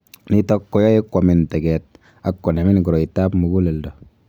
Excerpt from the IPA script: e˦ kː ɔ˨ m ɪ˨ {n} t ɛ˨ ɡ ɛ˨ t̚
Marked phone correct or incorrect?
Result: correct